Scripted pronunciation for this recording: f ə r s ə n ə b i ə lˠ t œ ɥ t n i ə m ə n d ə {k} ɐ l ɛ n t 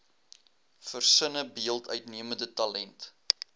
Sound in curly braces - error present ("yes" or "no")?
yes